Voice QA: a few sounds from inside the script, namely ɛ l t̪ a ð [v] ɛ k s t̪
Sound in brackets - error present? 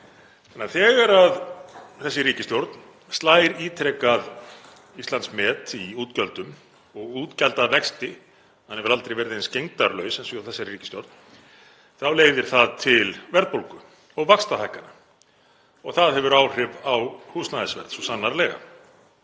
no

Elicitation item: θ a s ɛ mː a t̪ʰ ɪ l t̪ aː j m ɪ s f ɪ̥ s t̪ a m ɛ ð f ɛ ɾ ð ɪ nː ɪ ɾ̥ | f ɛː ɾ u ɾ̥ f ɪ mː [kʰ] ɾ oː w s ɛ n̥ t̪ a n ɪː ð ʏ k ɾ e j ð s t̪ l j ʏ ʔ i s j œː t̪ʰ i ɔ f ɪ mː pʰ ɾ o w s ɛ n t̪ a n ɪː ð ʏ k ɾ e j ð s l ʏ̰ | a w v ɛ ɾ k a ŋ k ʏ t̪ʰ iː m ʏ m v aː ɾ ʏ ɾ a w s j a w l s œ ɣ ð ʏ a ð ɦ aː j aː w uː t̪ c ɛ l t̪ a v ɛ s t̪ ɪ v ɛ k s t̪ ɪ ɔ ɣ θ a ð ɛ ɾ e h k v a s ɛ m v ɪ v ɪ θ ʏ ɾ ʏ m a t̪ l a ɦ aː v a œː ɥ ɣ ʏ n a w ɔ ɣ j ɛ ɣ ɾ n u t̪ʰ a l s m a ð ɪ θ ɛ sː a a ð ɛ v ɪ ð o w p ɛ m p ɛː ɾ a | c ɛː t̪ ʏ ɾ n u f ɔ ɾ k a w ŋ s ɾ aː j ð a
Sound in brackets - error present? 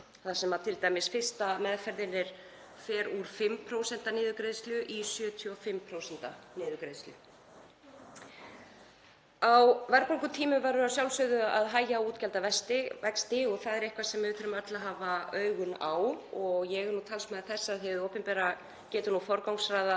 yes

